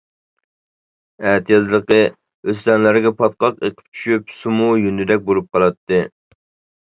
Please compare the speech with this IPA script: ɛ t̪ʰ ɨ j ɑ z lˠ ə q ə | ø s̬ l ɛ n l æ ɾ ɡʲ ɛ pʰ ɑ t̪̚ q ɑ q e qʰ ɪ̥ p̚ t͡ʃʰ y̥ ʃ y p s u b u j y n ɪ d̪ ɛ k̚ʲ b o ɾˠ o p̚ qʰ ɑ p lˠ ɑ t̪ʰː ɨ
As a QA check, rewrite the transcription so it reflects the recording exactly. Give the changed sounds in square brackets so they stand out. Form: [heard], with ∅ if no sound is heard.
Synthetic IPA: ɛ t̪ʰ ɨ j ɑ z lˠ ə q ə | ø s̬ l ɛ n l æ ɾ ɡʲ ɛ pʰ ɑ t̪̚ q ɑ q e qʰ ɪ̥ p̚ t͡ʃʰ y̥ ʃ y p s u [m] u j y n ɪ d̪ ɛ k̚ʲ b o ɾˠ [u] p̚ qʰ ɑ [∅] lˠ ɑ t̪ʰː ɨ